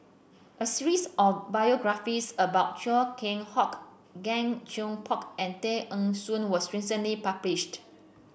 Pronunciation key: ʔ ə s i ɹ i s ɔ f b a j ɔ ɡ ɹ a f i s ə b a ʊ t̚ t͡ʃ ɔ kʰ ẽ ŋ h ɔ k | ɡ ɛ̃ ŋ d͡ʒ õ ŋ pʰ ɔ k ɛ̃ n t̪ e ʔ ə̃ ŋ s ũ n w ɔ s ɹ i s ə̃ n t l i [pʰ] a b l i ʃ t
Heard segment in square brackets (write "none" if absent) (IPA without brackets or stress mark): p